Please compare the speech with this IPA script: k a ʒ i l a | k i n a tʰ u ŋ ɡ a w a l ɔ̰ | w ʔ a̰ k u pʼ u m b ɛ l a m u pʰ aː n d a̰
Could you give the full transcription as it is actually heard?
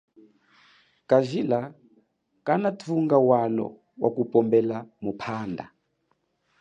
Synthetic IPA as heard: k a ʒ i l a | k a n a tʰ u ŋ ɡ a w a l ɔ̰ | w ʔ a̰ k u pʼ ɔ m b ɛ l a m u pʰ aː n d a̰